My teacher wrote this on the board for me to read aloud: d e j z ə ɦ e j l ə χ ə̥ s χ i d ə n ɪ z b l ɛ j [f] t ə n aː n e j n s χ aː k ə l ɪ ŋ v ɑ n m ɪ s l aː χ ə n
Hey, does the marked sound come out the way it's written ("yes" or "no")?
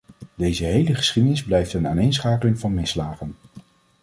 yes